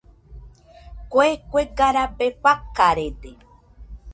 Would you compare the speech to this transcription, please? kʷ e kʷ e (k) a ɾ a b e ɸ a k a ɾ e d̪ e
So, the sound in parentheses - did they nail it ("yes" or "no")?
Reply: no